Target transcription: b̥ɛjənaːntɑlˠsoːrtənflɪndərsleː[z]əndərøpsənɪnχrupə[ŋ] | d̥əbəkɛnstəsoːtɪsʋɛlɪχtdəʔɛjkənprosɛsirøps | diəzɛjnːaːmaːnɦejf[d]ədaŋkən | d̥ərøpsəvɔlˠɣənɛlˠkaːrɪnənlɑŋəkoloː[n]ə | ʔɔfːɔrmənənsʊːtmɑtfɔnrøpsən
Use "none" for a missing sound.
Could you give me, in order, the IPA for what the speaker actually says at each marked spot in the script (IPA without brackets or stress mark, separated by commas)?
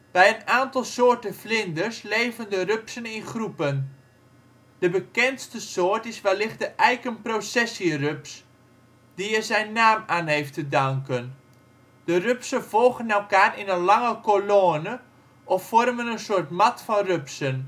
v, n, t, n